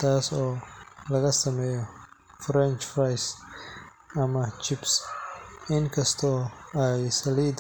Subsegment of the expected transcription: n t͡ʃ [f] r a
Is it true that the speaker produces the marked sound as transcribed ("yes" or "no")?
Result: yes